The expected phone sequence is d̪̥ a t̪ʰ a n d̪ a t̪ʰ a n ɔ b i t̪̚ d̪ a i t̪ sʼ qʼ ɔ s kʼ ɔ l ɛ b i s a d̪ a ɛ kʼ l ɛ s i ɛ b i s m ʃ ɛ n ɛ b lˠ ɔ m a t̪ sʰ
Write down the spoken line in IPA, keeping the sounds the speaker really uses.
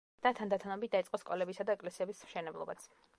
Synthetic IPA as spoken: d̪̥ a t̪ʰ a n d̪ a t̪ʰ a n ɔ b i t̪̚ d̪ a i t̪ sʼ qʼ ɔ s kʼ ɔ l ɛ b i s a d̪ a ɛ kʼ l ɛ s i ɛ b i s m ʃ ɛ n ɛ b lˠ ɔ b a t̪ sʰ